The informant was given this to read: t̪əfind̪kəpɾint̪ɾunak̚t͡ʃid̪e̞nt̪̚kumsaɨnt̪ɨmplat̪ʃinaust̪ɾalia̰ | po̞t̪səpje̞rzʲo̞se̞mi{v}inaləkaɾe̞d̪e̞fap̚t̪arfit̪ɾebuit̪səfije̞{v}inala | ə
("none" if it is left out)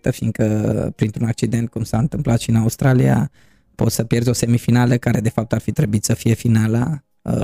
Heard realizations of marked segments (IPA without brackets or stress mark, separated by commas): f, f